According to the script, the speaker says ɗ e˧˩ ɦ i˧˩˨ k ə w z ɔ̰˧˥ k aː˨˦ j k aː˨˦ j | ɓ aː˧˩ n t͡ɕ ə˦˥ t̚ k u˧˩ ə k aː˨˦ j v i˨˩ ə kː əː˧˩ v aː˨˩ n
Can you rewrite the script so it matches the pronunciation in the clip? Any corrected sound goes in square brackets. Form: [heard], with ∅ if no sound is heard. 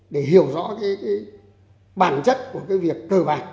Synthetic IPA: ɗ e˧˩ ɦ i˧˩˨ [∅] ə w z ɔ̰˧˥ k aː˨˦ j k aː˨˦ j | ɓ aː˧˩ n t͡ɕ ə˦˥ t̚ k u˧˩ ə k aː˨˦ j v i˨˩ ə kː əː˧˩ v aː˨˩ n